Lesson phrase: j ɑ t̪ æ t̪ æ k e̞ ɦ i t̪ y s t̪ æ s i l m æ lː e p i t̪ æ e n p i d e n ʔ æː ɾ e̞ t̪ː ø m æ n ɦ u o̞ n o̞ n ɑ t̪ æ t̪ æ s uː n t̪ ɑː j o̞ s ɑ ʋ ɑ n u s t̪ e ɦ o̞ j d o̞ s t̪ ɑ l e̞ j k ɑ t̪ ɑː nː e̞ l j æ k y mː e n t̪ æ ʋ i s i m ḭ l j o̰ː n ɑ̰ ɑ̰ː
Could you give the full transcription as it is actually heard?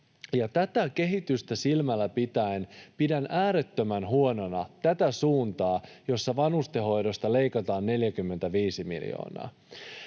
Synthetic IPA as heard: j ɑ t̪ æ t̪ æ k e̞ ɦ i t̪ y s t̪ æ s i l m æ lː æ p i t̪ æ e n p i d æ n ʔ æː ɾ e̞ t̪ː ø m æ n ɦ u o̞ n o̞ n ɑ t̪ æ t̪ æ s uː n t̪ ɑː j o̞ sː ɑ ʋ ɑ n u s t̪ e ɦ o̞ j d o̞ s t̪ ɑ l e̞ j k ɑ t̪ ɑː nː e̞ l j æ k y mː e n t̪ æ ʋ iː s i m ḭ l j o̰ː n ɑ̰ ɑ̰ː